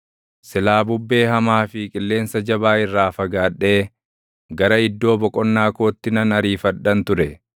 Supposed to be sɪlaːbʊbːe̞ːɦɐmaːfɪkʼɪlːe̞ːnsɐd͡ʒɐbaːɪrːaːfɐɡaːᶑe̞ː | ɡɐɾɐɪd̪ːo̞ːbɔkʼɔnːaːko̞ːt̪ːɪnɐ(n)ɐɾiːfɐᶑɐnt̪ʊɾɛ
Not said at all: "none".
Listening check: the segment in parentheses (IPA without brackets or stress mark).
n